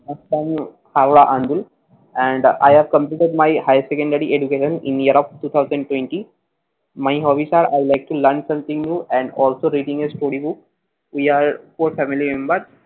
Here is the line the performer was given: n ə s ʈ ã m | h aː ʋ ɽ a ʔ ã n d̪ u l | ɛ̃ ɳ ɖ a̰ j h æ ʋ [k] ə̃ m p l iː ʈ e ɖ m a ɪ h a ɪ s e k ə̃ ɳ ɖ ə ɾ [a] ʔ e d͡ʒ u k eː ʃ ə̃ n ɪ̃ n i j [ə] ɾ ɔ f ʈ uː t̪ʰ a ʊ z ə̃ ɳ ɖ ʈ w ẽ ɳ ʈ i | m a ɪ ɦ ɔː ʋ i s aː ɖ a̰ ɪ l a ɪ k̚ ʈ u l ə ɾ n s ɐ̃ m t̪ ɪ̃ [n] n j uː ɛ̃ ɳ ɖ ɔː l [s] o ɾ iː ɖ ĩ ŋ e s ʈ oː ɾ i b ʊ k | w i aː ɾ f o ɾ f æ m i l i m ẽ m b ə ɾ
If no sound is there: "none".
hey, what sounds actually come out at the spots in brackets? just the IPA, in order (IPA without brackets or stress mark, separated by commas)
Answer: k, i, ə, ŋ, s